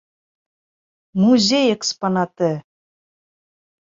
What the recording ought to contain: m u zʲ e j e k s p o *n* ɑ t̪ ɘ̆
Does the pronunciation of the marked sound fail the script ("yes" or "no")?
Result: no